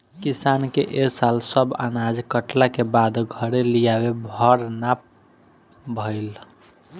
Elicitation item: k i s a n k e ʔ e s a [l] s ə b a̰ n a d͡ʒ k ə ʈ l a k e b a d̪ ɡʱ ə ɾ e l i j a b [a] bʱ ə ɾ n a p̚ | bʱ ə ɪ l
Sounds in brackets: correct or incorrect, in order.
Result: correct, incorrect

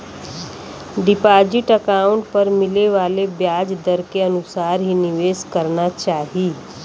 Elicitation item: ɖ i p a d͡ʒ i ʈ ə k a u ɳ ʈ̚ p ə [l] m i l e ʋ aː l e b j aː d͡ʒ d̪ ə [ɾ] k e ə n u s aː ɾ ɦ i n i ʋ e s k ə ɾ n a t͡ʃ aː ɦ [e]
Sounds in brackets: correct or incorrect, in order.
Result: incorrect, correct, incorrect

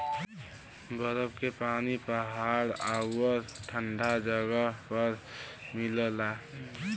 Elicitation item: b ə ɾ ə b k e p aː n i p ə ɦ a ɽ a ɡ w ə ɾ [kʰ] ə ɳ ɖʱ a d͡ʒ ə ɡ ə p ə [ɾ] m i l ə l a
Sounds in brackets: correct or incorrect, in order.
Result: incorrect, correct

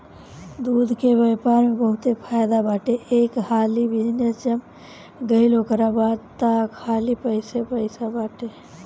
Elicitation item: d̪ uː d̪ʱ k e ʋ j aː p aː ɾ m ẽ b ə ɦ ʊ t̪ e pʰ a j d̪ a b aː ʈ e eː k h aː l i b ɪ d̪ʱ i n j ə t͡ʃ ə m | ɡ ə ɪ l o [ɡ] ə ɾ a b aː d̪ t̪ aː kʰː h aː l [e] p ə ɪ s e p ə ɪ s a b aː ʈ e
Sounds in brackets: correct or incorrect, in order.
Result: incorrect, incorrect

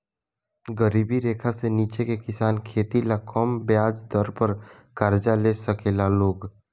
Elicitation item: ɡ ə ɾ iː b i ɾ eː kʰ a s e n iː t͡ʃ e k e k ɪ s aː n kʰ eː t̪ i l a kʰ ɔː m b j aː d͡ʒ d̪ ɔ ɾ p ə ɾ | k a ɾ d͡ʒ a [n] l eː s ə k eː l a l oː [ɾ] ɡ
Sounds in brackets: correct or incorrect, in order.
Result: incorrect, incorrect

